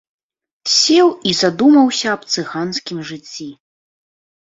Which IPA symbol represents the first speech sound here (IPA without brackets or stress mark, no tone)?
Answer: sʲ